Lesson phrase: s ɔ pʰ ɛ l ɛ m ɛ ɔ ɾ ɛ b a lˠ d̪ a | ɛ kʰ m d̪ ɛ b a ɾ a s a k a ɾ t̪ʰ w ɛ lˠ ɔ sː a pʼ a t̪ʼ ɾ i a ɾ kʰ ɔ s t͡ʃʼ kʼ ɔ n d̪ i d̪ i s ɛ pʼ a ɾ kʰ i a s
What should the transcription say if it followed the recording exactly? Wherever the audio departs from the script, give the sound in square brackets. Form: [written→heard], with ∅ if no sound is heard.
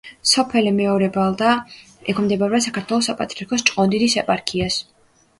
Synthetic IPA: s ɔ pʰ ɛ l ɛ m ɛ ɔ ɾ ɛ b a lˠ d̪ a | ɛ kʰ m d̪ ɛ b a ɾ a s a k a ɾ t̪ʰ w ɛ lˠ ɔ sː a pʼ a t̪ʼ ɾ i a ɾ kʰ ɔ s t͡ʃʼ [kʼ→qʼ] ɔ n d̪ i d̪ i s ɛ pʼ a ɾ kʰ i a s